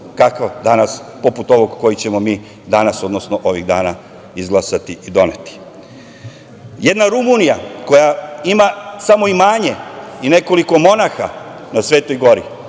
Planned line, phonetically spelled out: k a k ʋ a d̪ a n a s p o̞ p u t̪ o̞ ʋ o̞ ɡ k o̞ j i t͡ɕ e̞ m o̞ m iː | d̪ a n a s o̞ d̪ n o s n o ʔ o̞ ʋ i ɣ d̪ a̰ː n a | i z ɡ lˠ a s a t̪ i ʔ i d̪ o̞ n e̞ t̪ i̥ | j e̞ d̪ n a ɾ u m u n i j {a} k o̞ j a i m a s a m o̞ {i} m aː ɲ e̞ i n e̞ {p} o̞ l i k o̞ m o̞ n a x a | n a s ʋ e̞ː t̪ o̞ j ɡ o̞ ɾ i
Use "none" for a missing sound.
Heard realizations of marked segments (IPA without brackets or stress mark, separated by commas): a, i, k